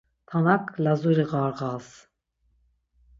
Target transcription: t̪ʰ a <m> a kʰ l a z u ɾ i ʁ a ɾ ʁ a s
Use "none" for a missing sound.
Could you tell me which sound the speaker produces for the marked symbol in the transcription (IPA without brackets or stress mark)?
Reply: n